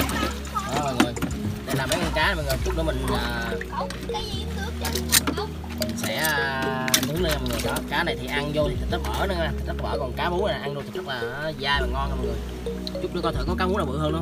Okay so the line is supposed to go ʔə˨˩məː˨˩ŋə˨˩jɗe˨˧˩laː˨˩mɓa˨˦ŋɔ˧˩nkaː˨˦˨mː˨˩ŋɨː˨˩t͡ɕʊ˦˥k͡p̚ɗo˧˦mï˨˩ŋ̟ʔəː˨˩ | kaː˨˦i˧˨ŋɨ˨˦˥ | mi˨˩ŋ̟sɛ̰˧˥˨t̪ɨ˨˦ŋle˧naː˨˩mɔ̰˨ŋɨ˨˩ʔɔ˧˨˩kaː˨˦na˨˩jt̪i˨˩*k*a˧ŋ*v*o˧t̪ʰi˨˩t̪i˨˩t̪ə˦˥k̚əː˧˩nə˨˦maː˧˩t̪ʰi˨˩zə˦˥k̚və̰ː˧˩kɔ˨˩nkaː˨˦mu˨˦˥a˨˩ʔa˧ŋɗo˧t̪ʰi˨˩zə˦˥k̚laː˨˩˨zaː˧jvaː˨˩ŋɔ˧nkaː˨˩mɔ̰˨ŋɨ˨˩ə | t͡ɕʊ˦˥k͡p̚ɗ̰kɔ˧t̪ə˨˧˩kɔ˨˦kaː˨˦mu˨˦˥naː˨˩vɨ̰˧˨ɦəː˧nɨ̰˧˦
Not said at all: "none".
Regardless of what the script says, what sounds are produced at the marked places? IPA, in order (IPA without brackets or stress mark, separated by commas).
ʔ, z